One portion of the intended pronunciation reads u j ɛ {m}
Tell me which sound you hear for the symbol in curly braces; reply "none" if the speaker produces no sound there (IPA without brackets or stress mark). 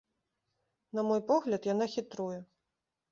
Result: none